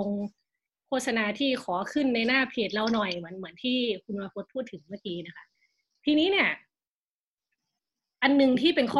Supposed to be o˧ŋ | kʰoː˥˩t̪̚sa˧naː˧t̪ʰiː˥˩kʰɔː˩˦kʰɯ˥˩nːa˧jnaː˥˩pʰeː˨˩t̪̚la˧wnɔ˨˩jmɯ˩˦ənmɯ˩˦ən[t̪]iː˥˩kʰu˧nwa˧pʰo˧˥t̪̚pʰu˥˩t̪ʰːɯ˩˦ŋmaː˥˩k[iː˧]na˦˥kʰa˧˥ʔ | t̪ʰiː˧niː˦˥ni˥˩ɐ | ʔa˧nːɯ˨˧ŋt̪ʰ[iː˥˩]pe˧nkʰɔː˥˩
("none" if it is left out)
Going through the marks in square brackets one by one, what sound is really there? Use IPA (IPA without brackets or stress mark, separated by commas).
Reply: t̪ʰ, iː˧, iː˥˩